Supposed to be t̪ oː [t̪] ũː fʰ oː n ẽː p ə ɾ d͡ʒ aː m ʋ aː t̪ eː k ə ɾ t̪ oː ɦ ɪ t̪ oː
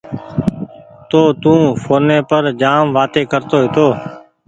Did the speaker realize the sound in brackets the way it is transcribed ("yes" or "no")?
yes